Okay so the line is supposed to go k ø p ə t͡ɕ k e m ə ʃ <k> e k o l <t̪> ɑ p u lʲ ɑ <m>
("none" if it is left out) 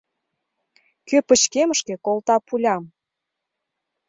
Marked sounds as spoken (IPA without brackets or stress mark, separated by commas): k, t̪, m